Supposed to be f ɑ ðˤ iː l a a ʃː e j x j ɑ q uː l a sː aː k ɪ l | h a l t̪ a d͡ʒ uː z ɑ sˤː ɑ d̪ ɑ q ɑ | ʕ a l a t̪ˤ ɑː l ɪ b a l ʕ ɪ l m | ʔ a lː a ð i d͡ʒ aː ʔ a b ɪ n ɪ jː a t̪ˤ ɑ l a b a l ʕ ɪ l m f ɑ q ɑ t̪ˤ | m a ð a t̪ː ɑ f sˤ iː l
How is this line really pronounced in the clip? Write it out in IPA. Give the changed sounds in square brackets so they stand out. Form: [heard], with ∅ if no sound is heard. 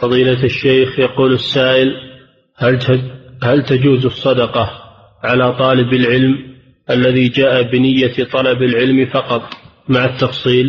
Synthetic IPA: f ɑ ðˤ iː l a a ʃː e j x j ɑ q uː l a sː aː [ʔ] ɪ l | h a l t̪ a d͡ʒ uː z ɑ sˤː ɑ d̪ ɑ q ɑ | ʕ a l a t̪ˤ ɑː l ɪ b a l ʕ ɪ l m | ʔ a lː a ð i d͡ʒ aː ʔ a b ɪ n ɪ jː a t̪ˤ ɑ l [ɑ] b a l ʕ ɪ l m f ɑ q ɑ t̪ˤ | m a [ʕ] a t̪ː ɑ f sˤ iː l